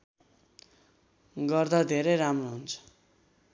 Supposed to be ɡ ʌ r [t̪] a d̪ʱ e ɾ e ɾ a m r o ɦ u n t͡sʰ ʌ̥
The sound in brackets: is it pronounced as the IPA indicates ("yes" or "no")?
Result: no